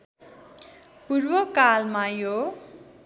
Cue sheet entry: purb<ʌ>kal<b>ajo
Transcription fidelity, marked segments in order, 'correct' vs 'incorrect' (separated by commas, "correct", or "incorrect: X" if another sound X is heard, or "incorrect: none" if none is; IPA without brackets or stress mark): correct, incorrect: m